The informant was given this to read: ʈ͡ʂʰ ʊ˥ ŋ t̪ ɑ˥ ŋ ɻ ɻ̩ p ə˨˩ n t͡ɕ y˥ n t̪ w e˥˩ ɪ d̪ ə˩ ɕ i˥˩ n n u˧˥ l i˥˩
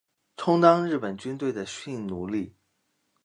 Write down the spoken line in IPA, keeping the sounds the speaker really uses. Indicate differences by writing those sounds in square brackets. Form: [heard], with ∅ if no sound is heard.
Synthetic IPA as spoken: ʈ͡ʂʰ ʊ˥ ŋ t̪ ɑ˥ ŋ ɻ ɻ̩ p ə˨˩ n t͡ɕ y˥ n t̪ w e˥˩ ɪ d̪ ə˩ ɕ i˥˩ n n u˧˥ l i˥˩